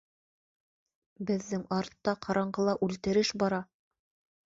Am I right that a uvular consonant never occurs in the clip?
no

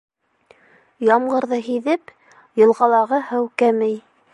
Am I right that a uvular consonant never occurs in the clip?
no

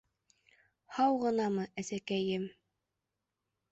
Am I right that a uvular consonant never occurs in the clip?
no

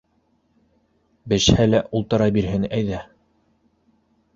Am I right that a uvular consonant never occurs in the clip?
yes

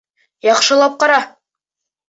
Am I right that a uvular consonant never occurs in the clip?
no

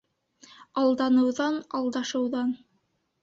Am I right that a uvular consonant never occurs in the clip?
yes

